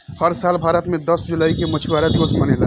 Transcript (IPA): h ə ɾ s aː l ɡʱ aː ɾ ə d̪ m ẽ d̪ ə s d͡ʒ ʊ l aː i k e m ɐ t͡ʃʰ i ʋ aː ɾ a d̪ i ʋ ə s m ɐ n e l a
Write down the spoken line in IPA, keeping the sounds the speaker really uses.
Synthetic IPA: h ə ɾ s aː l bʱ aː ɾ ə t̪ m ẽ d̪ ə s d͡ʒ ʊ l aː i k e m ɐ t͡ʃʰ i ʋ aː ɾ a d̪ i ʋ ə s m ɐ n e l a